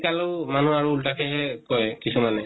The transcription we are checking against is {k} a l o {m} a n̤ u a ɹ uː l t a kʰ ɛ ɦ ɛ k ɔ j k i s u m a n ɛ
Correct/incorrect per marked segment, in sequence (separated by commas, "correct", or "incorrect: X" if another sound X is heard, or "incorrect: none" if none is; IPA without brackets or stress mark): correct, correct